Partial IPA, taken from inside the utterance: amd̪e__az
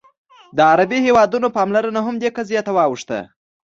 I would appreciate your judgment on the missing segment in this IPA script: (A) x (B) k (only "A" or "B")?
B